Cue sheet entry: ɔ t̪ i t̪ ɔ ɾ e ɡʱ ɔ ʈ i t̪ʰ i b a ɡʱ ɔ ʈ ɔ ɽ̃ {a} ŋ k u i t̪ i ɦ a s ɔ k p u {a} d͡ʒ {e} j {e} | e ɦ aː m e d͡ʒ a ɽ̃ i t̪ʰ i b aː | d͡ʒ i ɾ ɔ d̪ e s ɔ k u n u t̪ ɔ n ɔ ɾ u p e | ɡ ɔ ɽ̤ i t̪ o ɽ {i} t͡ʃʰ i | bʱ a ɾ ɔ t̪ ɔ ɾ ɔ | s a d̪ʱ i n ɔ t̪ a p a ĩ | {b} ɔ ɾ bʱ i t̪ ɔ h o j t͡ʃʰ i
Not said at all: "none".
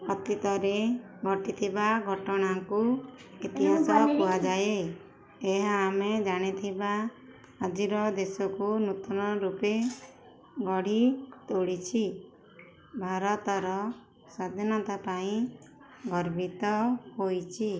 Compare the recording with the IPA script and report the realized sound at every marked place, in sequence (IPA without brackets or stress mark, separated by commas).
a, a, a, e, i, ɡ